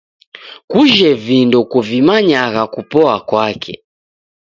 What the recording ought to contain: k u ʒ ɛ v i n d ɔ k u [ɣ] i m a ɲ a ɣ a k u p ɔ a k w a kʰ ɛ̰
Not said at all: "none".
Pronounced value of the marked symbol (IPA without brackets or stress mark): v